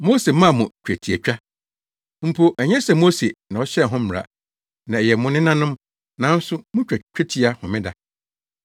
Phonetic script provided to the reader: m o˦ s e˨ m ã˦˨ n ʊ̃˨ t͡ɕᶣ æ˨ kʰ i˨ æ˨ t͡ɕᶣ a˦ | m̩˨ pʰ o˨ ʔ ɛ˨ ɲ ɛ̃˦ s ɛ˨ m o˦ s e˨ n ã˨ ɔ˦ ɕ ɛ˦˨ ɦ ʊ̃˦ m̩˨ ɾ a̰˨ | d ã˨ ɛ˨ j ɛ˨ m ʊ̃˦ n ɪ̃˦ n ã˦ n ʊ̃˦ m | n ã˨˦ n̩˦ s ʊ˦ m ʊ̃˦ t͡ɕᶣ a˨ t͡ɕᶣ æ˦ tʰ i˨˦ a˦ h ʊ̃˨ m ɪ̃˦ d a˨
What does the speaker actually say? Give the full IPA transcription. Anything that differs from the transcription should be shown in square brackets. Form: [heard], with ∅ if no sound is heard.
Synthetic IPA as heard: m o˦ s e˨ m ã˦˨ [m] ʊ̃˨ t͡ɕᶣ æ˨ [tʰ] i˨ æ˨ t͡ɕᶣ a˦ | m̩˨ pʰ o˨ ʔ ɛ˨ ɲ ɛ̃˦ s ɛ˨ m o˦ s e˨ n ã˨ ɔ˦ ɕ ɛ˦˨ ɦ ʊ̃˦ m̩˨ ɾ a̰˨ | [n] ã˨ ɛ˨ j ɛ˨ m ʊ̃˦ n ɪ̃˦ n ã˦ n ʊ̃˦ m | n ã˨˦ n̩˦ s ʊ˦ m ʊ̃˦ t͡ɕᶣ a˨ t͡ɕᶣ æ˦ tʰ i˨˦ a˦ h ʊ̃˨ m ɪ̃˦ d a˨